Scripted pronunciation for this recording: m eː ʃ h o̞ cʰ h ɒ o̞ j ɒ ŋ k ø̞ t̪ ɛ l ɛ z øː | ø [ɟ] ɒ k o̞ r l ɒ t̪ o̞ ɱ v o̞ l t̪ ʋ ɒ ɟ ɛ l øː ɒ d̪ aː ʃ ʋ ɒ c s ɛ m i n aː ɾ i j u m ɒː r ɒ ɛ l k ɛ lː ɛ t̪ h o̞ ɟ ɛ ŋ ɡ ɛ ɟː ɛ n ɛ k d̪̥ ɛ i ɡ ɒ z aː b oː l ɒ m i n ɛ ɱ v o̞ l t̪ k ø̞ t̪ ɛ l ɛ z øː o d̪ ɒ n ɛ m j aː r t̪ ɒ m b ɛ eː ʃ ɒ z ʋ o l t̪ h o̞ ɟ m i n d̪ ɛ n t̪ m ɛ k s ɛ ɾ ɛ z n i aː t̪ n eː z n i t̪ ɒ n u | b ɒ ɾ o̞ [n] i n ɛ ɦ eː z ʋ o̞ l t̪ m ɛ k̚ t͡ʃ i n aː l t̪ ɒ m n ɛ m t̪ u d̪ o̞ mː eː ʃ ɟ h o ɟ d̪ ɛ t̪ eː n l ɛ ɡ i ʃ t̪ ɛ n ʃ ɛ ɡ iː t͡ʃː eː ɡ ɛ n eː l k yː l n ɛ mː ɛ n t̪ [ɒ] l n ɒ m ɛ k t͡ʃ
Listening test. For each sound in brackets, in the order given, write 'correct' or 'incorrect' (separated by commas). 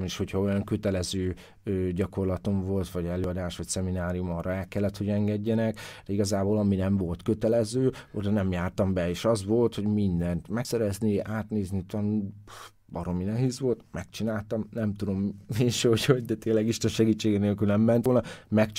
correct, incorrect, incorrect